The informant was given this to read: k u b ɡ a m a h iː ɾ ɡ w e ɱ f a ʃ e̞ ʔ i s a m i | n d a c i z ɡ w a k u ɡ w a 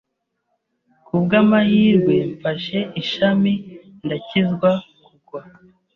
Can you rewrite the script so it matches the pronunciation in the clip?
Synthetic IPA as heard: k u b ɡ a m a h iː ɾ ɡ w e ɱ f a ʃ e̞ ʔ i ʃ a m i | n d a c i z ɡ w a k u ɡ w a